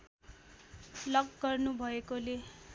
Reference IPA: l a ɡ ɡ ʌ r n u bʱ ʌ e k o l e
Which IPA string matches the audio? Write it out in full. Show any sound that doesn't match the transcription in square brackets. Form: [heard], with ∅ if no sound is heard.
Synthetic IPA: l [ʌ] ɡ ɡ ʌ r n u bʱ ʌ e k o l e